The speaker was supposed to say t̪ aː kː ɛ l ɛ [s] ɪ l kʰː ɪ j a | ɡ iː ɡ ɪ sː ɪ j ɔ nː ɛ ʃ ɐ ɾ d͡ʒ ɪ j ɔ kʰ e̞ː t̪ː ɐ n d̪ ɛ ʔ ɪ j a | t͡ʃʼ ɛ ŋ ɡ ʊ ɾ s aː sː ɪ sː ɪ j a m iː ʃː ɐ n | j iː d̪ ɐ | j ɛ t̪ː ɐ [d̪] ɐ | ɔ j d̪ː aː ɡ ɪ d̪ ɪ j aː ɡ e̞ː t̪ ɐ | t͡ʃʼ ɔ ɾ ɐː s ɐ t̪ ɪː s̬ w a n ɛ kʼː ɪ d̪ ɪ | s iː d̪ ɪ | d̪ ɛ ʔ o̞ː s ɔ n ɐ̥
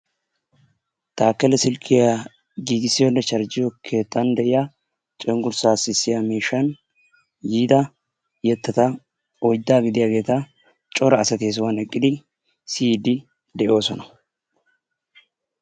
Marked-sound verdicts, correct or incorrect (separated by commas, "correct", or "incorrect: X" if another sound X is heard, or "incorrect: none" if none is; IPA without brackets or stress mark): correct, incorrect: t̪